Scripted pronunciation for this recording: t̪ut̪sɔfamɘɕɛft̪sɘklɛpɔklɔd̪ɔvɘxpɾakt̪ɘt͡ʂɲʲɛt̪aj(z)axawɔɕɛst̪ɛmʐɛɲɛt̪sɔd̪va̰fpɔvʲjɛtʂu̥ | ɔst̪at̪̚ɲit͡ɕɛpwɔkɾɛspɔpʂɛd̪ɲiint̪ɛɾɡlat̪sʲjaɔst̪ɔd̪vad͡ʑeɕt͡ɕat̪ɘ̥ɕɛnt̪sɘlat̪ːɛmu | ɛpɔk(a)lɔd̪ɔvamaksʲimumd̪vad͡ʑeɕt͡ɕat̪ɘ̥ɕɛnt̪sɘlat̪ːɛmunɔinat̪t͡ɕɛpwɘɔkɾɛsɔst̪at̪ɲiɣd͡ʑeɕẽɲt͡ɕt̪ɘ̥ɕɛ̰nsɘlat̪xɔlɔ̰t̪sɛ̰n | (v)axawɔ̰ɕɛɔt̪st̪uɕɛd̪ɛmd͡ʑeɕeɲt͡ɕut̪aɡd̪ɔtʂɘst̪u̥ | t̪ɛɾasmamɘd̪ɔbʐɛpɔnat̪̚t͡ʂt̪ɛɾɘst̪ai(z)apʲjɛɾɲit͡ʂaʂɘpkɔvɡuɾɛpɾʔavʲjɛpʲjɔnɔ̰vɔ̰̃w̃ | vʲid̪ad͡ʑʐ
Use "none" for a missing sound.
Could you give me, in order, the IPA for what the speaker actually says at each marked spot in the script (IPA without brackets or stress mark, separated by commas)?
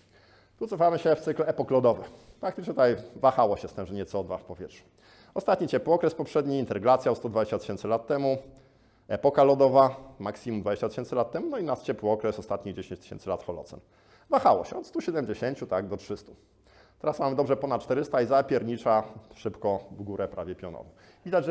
v, a, v, z